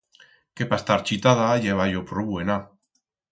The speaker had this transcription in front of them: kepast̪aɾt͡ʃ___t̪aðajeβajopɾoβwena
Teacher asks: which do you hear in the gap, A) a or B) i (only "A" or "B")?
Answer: B